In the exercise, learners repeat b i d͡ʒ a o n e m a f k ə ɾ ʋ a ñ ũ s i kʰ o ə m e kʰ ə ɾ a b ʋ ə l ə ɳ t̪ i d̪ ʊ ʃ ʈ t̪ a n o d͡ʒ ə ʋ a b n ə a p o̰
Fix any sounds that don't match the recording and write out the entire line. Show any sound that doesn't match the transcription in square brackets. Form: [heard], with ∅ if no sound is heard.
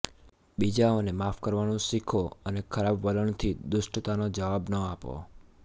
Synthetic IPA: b i d͡ʒ a o n e m a f k ə ɾ ʋ a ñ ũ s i kʰ o ə [n] e kʰ ə ɾ a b ʋ ə l ə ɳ [t̪ʰ] i d̪ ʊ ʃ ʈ t̪ a n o d͡ʒ ə ʋ a b n ə a p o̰

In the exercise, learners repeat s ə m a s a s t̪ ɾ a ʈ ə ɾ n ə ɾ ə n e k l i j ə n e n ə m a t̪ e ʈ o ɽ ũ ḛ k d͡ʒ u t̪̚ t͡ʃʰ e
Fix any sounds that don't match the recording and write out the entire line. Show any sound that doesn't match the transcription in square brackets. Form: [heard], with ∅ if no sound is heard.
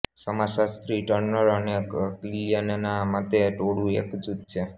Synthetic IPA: s ə m a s a s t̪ ɾ [i] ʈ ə ɾ n ə ɾ ə n e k l i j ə n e n [a] m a t̪ e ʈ o ɽ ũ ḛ k d͡ʒ u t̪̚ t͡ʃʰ e

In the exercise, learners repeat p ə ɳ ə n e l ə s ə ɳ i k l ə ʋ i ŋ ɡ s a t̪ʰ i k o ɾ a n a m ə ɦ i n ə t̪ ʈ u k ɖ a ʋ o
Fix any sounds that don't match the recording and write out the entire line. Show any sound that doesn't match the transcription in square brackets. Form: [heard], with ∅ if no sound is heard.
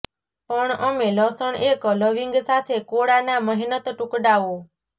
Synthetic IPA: p ə ɳ ə [m] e l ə s ə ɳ [e] k l ə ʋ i ŋ ɡ s a t̪ʰ [e] k o [ɽ] a n a m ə ɦ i n ə t̪ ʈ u k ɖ a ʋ o

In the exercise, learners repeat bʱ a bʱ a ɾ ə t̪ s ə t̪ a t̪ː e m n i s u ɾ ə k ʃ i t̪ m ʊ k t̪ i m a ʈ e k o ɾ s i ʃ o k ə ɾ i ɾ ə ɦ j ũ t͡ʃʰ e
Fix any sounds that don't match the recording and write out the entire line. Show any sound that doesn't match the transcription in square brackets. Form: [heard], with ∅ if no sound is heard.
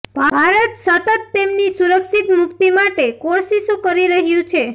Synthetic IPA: bʱ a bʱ a ɾ ə t̪ s ə t̪ [ə] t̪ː e m n i s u ɾ ə k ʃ i t̪ m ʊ k t̪ i m a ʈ e k o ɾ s i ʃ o k ə ɾ i ɾ ə ɦ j ũ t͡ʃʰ e

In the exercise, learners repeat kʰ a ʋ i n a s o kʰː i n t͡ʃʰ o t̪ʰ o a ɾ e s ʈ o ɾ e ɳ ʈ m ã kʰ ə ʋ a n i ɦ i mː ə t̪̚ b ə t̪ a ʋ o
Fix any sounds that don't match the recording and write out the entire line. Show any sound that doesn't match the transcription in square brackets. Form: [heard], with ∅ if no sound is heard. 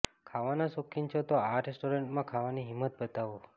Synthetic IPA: kʰ a ʋ [a] n a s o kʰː i n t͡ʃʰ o [t̪] o a ɾ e s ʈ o ɾ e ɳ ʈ m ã kʰ [a] ʋ a n i ɦ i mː ə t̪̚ b ə t̪ a ʋ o

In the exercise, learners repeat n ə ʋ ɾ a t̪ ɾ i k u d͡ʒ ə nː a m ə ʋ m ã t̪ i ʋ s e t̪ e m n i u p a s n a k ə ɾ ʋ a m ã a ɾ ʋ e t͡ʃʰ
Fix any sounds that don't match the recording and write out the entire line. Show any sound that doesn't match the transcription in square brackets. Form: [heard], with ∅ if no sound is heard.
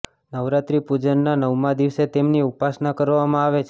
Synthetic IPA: n ə ʋ ɾ a t̪ ɾ i [p] u d͡ʒ ə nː a [n] ə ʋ m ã [d̪] i ʋ s e t̪ e m n i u p a s n a k ə ɾ ʋ a m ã a [∅] ʋ e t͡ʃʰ

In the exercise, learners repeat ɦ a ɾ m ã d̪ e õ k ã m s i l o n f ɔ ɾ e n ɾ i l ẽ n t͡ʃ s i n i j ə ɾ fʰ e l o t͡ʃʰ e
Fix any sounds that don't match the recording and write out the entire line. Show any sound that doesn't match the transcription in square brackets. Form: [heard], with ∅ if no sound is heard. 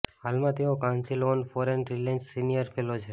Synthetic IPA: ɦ a [l] m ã [t̪] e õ k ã [n] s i l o n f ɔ ɾ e n ɾ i l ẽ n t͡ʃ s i n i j ə ɾ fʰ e l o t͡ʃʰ e

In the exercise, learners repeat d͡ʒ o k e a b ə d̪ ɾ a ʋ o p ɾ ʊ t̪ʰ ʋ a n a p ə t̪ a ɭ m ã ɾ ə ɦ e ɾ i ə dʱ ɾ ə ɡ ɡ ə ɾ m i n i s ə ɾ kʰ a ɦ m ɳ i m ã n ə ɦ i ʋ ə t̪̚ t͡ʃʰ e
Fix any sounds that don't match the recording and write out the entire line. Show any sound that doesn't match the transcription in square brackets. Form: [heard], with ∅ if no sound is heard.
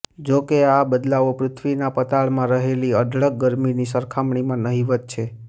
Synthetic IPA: d͡ʒ o k e a b ə d̪ [l] a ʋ o p ɾ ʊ t̪ʰ ʋ [i] n a p ə t̪ a ɭ m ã ɾ ə ɦ e [l] i ə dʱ [ɭ] ə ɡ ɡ ə ɾ m i n i s ə ɾ kʰ a [∅] m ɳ i m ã n ə ɦ i ʋ ə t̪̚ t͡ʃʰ e

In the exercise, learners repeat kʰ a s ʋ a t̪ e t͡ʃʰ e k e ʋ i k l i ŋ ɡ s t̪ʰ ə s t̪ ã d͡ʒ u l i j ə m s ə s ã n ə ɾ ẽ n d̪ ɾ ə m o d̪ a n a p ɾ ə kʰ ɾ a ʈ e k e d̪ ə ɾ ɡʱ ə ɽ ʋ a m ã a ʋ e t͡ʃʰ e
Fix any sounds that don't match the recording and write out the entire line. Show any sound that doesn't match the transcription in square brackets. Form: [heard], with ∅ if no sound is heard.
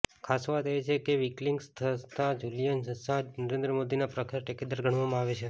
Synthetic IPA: kʰ a s ʋ a t̪ e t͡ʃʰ e k e ʋ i k l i ŋ ɡ s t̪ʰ ə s t̪ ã d͡ʒ u l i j ə [n] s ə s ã n ə ɾ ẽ n d̪ ɾ ə m o d̪ [i] n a p ɾ ə kʰ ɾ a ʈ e k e d̪ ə ɾ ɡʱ ə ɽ ʋ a m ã a ʋ e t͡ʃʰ e

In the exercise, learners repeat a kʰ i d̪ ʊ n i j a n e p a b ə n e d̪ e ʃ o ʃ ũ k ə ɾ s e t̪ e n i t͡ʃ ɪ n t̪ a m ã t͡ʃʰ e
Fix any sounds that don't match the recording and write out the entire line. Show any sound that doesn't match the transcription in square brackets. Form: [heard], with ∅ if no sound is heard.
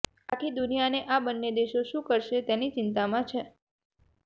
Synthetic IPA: a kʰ i d̪ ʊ n i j a n e [ʔ] a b ə [nː] e d̪ e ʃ o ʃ ũ k ə ɾ [ʃ] e t̪ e n i t͡ʃ ɪ n t̪ a m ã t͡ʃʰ e

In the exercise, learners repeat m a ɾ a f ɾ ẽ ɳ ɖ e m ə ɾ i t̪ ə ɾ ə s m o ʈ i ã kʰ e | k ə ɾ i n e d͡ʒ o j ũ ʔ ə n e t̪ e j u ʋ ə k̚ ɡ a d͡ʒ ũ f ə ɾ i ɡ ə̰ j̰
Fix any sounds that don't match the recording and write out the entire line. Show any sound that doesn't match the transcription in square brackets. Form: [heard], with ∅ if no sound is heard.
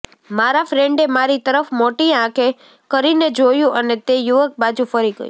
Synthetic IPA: m a ɾ a f ɾ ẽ ɳ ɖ e m [a] ɾ i t̪ ə ɾ ə [f] m o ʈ i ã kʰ e | k ə ɾ i n e d͡ʒ o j ũ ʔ ə n e t̪ e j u ʋ ə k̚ [b] a d͡ʒ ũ f ə ɾ i ɡ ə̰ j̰

